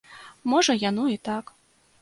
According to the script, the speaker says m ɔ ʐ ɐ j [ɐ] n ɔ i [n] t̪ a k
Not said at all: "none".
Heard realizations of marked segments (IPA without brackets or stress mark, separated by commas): a, none